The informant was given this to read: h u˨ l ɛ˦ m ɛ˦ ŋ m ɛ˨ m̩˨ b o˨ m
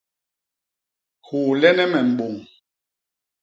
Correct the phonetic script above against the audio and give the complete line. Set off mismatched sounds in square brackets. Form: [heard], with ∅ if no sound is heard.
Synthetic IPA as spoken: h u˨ l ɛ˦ [n] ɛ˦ [∅] m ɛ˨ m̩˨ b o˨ [ŋ]